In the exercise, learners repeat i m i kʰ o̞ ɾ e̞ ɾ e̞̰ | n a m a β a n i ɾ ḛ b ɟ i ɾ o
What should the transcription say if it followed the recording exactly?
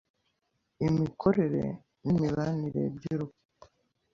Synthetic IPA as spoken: i m i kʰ o̞ ɾ e̞ ɾ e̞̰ | n i m i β a n i ɾ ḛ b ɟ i ɾ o